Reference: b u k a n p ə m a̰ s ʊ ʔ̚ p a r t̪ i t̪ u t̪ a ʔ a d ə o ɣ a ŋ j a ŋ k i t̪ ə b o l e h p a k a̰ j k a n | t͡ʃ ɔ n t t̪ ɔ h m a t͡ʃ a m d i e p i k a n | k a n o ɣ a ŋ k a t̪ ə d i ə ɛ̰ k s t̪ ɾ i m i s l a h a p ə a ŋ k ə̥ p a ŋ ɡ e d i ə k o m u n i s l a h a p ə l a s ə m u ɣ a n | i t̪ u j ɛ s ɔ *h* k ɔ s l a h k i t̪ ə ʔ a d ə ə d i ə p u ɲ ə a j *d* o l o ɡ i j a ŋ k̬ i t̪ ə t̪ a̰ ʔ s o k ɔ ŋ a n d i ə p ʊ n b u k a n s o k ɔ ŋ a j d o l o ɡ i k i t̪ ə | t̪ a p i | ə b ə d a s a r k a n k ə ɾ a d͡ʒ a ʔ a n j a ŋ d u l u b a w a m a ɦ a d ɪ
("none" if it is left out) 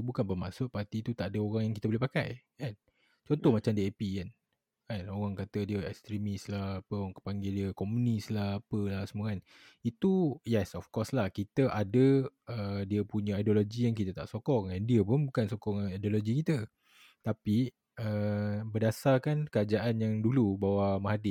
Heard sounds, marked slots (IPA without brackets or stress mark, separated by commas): f, d